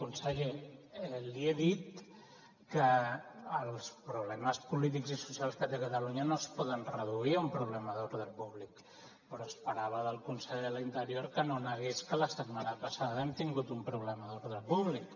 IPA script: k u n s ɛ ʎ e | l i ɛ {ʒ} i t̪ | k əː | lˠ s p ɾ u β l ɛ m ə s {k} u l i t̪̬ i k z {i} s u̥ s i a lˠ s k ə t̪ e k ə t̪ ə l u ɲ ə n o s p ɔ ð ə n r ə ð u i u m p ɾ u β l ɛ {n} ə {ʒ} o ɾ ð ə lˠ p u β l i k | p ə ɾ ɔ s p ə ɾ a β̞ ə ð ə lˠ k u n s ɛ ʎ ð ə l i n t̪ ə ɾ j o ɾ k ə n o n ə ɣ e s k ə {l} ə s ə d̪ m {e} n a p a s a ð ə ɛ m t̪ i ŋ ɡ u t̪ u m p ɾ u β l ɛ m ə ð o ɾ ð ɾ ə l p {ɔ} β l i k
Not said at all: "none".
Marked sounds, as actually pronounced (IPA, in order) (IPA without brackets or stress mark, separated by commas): ð, p, i, m, ð, l, a, u